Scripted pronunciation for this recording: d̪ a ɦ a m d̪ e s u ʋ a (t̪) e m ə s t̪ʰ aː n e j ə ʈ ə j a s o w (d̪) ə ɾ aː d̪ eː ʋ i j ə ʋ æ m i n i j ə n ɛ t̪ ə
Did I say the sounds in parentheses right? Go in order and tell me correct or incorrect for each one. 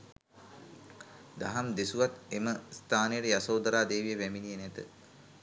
correct, correct

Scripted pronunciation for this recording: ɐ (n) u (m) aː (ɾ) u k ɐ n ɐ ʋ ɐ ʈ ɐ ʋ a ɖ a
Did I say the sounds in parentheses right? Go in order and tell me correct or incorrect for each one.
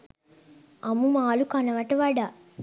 incorrect: m, correct, incorrect: l

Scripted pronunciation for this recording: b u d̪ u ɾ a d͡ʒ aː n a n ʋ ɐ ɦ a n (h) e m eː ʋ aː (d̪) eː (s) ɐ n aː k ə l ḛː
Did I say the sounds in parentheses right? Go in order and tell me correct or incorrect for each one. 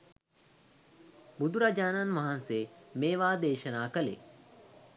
incorrect: s, correct, incorrect: ʃ

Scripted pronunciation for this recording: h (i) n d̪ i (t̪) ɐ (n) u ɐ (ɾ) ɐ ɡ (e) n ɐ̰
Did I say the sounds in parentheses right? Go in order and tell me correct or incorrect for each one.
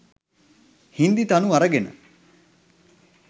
correct, correct, correct, correct, correct

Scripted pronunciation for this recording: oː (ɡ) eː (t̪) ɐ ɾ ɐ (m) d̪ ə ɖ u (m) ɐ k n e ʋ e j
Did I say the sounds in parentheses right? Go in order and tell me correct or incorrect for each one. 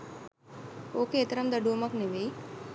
incorrect: k, correct, correct, correct

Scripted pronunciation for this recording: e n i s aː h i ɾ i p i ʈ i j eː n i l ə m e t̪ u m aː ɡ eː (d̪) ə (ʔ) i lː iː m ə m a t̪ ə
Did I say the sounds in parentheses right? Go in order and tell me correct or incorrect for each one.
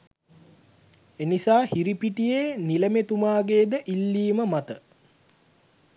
correct, correct

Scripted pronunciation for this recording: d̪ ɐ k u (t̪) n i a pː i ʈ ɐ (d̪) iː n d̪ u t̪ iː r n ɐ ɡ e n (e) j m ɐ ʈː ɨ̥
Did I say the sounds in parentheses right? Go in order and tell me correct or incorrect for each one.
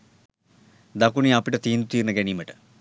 incorrect: none, incorrect: t̪, incorrect: i

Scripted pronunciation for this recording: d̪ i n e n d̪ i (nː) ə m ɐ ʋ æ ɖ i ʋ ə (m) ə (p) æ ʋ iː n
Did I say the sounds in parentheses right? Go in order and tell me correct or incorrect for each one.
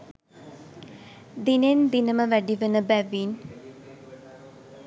incorrect: n, incorrect: n, incorrect: b

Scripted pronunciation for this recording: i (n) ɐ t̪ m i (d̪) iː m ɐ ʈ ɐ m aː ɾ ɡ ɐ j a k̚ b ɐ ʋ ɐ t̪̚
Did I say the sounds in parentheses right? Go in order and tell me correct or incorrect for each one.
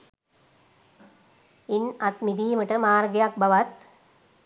correct, correct

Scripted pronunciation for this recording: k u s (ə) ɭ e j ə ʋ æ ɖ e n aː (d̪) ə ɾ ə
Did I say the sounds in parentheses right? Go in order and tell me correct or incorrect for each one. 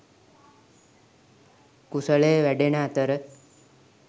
correct, incorrect: t̪

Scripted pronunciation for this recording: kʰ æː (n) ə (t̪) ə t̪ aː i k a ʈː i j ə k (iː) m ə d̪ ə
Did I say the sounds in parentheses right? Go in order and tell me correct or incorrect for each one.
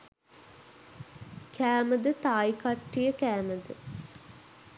incorrect: m, incorrect: d̪, incorrect: æː

